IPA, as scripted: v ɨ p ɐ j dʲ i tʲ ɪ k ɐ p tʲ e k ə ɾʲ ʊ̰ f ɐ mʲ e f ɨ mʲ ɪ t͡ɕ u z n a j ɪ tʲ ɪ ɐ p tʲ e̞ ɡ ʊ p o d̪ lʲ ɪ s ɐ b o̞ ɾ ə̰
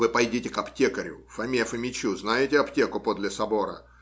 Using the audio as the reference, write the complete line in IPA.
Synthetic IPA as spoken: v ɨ p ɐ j dʲ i tʲ ɪ k ɐ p tʲ e k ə ɾʲ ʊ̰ f ɐ mʲ e f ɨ mʲ ɪ t͡ɕ u z n a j ɪ tʲ ɪ ɐ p tʲ e̞ k ʊ p o d̪ lʲ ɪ s ɐ b o̞ ɾ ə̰